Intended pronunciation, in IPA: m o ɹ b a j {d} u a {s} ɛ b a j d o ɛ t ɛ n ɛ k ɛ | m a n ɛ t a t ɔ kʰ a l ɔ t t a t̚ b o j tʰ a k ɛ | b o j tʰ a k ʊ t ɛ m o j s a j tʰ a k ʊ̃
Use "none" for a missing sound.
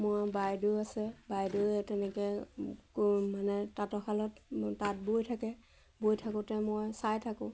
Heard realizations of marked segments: d, s

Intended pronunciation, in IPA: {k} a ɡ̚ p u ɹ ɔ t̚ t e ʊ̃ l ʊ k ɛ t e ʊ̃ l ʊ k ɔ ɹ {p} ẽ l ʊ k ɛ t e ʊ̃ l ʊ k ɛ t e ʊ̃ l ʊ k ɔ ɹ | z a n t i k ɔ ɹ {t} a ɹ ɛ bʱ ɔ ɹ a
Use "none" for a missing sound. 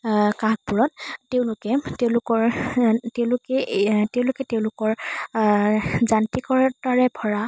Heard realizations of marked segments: k, t, t

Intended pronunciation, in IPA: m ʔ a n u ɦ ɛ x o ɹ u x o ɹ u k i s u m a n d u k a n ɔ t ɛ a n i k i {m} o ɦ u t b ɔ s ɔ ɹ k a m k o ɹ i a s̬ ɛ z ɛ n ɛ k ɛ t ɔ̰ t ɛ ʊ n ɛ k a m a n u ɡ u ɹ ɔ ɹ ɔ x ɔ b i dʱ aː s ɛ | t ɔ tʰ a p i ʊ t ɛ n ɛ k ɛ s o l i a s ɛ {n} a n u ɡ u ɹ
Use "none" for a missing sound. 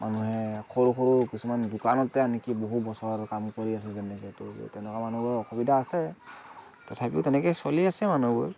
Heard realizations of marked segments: b, m

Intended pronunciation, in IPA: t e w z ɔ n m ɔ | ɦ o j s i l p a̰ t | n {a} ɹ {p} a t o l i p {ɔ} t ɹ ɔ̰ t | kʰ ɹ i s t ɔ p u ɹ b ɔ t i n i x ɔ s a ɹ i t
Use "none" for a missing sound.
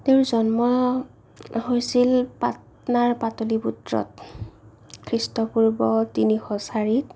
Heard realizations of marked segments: a, p, u

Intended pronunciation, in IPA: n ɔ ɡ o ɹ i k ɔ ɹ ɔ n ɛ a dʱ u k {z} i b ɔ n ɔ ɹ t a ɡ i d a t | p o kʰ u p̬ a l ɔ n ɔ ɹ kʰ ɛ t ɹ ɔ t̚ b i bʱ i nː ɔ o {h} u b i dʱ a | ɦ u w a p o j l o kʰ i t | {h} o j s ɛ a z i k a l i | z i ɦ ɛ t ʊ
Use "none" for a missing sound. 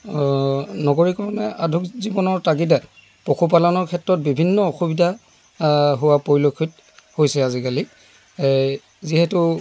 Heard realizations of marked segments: z, x, h

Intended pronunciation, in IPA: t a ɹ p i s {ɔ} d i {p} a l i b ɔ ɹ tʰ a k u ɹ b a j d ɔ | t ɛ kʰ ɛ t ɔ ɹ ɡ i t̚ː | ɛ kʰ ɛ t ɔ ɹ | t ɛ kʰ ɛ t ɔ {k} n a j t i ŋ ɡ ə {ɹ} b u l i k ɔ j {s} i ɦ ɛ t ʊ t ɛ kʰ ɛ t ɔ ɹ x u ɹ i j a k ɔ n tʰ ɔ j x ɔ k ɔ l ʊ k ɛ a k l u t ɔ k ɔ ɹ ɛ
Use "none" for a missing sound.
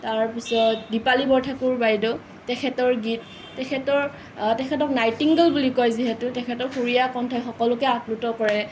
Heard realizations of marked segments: ɔ, p, k, l, z

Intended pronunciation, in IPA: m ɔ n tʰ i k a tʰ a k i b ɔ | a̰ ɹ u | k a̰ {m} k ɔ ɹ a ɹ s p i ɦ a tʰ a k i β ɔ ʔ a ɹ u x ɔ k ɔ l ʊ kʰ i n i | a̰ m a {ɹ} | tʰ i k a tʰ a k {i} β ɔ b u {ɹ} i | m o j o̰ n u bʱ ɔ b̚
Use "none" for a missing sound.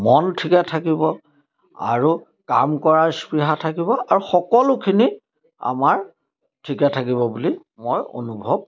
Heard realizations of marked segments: m, ɹ, i, l

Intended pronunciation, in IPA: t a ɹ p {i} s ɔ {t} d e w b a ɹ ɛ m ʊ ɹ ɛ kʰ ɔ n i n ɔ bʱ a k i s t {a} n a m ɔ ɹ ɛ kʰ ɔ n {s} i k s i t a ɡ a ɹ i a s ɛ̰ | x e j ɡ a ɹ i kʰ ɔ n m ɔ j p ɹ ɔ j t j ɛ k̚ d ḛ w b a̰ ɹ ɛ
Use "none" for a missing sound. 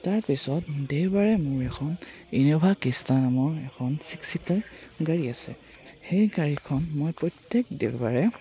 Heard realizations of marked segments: i, t, a, s

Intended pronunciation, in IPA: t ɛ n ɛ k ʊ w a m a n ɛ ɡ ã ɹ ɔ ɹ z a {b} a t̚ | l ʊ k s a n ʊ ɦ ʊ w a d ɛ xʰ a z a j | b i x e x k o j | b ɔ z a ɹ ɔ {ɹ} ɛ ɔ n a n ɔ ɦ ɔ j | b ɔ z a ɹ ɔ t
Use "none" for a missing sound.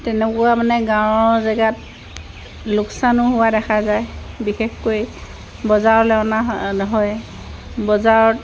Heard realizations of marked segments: ɡ, l

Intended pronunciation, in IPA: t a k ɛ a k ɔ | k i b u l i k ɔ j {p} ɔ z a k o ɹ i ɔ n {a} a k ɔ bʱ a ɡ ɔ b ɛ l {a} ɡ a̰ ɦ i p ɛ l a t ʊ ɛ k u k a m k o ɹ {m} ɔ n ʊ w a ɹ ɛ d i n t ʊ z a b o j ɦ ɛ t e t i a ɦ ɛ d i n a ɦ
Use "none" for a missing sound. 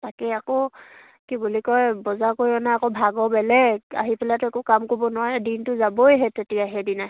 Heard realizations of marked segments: b, a, ɛ, b

